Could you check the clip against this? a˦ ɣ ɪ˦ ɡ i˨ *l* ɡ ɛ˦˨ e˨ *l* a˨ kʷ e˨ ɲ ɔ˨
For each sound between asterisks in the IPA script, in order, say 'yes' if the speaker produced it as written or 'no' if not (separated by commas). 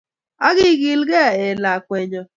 yes, yes